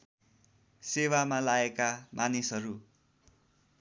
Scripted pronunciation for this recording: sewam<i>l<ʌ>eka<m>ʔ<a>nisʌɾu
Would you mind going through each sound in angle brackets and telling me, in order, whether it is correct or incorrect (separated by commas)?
incorrect, incorrect, correct, correct